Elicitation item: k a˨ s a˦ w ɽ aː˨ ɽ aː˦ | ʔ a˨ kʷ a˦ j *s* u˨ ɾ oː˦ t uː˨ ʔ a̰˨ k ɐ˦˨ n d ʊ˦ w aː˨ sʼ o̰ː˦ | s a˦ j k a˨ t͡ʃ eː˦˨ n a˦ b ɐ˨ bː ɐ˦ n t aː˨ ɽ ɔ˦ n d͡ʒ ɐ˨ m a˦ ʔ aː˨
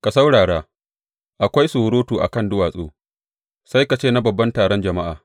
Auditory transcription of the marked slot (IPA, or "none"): s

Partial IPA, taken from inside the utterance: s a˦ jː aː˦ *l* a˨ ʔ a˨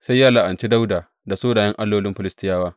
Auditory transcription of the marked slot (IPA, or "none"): l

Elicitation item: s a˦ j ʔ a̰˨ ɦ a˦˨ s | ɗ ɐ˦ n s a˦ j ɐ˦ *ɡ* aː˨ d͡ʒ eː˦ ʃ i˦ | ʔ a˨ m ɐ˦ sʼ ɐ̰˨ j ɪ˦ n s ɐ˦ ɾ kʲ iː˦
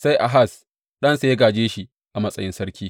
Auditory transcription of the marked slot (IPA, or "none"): ɡ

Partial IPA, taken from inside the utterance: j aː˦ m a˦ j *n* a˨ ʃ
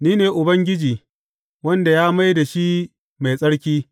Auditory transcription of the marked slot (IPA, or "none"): d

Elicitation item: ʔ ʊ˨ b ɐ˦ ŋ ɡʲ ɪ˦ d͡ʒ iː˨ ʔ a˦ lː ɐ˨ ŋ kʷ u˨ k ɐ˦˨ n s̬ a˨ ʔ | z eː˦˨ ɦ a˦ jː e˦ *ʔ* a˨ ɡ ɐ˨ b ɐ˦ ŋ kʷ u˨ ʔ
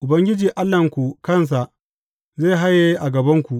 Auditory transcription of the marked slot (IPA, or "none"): ʔ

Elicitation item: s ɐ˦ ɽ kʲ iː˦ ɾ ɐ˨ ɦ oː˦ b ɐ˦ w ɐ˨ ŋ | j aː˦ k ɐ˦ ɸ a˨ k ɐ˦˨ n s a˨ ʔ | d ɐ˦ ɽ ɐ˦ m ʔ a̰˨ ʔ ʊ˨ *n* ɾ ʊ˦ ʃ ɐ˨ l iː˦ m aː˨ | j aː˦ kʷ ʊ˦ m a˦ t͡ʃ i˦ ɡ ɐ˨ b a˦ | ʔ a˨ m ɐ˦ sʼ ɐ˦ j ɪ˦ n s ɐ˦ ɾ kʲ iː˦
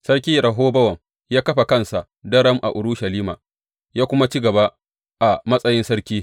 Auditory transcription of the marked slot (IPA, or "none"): none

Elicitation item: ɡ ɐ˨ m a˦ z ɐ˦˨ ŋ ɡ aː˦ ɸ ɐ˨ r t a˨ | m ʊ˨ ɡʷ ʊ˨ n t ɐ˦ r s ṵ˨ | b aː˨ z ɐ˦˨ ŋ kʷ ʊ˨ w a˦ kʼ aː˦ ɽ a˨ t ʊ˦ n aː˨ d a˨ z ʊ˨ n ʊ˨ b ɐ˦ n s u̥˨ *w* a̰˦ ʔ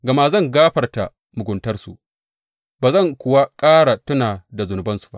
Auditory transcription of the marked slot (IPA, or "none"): b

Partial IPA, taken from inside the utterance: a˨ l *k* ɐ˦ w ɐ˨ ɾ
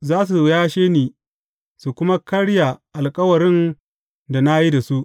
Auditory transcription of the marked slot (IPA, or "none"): kʼ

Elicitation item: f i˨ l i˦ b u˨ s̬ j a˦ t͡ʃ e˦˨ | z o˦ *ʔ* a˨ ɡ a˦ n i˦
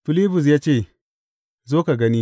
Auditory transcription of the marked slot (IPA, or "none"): k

